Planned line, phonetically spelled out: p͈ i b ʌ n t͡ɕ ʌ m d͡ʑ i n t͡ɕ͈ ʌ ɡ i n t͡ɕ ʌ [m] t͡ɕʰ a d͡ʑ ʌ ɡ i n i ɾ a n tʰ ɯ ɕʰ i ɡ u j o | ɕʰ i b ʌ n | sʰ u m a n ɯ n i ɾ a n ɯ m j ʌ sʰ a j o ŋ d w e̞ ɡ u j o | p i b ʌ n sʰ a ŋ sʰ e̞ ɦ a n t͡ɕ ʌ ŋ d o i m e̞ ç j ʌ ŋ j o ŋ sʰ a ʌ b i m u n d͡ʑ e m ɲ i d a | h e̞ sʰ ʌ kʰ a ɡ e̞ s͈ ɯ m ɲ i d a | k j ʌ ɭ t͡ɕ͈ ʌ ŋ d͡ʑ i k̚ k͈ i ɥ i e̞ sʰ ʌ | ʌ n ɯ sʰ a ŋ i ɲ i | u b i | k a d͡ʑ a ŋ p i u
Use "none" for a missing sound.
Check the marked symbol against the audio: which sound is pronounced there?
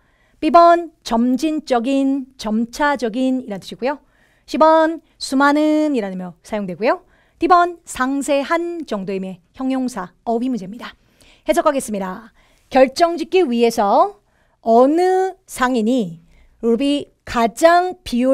m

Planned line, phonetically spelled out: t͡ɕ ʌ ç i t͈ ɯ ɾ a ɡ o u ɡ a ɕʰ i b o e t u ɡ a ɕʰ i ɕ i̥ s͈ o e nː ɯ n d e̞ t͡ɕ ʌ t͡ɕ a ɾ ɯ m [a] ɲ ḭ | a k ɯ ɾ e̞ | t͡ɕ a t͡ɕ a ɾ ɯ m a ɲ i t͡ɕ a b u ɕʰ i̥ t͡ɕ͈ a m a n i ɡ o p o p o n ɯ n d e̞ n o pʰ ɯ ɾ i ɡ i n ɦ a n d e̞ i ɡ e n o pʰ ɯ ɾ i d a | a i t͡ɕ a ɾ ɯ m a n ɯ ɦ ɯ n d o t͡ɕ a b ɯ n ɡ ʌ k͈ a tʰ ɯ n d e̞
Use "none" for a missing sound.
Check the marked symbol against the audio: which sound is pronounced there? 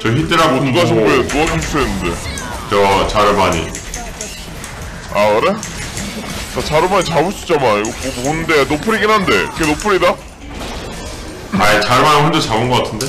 a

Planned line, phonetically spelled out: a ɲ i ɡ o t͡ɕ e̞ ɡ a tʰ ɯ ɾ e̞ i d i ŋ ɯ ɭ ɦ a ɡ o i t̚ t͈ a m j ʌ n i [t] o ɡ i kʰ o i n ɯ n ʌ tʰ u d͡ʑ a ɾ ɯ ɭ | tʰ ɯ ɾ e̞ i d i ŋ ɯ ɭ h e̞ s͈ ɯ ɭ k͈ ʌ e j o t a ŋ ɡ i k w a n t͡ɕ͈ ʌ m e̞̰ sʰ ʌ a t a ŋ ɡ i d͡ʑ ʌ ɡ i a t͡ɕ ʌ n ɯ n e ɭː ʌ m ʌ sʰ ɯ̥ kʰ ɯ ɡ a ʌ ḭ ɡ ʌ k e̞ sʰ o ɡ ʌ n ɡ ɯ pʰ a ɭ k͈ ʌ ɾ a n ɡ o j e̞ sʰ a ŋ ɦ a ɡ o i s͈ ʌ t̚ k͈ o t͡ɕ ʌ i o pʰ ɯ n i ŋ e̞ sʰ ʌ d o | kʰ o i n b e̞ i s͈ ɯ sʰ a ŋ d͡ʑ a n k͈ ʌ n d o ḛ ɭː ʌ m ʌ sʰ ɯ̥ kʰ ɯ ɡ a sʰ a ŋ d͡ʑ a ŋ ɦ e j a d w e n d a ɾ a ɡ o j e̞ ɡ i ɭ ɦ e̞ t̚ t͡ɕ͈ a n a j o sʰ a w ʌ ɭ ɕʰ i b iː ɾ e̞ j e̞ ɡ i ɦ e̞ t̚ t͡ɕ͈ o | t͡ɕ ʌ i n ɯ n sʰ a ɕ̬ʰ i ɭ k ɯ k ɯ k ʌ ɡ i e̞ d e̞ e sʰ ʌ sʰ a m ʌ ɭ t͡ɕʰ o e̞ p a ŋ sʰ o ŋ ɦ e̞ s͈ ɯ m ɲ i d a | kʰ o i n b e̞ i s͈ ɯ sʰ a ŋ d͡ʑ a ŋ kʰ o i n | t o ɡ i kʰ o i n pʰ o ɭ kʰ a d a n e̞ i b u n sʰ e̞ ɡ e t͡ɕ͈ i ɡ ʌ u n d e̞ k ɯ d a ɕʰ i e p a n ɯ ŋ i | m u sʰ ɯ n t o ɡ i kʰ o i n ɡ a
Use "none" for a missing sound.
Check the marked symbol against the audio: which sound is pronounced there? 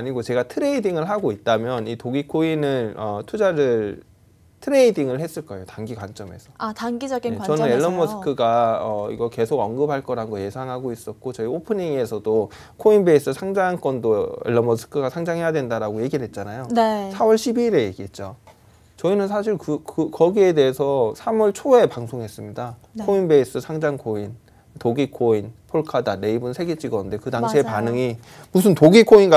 t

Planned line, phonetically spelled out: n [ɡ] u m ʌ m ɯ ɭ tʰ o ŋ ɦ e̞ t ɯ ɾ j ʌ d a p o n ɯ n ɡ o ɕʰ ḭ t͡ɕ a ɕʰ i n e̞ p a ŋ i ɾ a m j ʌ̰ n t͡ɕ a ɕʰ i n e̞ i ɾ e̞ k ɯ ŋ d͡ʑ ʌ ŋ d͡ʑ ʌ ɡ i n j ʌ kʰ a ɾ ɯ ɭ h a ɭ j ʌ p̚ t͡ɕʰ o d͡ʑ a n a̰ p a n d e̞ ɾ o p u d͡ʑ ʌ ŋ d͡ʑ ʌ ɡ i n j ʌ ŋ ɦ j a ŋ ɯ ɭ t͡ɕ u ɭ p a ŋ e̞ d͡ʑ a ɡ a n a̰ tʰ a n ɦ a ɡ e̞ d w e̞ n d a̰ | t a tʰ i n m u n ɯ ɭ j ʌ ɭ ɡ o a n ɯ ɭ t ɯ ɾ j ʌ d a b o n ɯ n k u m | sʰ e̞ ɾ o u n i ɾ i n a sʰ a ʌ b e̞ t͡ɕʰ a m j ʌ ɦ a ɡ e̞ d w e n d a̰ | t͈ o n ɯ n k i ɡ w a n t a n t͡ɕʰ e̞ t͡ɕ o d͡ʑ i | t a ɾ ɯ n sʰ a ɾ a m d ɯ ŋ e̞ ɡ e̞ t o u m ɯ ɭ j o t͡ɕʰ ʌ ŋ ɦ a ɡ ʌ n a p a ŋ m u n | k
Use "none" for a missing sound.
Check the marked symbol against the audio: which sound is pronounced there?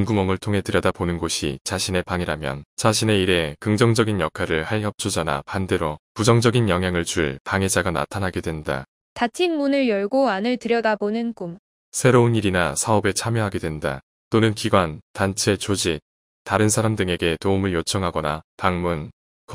ɡ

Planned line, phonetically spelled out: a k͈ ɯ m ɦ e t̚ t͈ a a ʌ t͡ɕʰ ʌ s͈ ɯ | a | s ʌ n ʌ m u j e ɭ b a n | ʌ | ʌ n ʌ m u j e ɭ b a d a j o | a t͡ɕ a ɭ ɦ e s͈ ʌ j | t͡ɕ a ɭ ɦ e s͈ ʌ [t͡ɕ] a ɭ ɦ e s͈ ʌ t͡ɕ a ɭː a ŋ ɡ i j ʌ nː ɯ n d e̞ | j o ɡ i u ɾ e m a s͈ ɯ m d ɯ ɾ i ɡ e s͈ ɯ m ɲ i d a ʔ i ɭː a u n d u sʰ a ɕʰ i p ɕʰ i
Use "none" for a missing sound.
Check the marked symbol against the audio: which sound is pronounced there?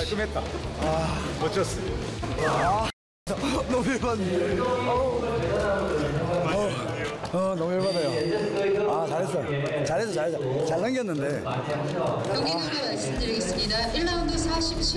t͡ɕ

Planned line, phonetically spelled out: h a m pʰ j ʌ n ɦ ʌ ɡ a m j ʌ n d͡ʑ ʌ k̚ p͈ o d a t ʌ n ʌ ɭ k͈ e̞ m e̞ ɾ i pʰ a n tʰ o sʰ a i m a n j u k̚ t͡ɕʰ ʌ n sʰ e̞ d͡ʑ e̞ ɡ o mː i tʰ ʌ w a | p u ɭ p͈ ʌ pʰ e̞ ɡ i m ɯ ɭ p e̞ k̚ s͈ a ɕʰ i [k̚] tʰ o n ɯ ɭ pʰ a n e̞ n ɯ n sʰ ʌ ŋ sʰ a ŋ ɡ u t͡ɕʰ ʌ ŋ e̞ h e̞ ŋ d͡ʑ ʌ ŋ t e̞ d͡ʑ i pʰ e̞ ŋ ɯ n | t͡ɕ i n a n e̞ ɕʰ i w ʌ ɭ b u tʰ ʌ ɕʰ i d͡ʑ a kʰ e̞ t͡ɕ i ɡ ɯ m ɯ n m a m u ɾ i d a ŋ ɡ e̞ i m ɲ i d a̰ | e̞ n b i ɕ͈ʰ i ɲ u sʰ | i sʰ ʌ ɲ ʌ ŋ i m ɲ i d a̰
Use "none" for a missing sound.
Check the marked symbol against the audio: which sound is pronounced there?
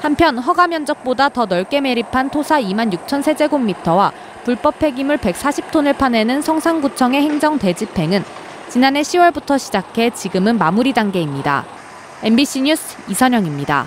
p̚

